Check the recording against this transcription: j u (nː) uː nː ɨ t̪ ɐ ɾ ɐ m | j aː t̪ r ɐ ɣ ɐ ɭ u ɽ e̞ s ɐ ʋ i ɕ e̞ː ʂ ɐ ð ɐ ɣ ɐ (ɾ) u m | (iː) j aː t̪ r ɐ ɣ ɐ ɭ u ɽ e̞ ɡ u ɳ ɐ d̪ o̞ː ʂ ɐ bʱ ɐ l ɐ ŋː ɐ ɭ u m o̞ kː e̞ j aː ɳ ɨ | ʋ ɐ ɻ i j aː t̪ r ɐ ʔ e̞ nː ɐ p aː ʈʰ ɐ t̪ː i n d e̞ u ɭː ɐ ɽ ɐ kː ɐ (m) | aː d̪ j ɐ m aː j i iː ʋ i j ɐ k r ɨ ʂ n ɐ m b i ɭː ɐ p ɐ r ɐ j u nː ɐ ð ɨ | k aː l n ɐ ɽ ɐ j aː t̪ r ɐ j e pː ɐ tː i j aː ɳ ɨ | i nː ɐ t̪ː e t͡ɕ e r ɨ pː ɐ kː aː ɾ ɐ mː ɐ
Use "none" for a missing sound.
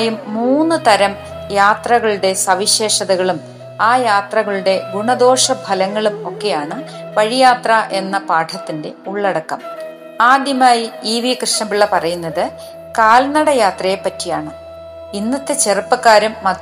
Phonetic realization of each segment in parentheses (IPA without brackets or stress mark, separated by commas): mː, ɭ, aː, m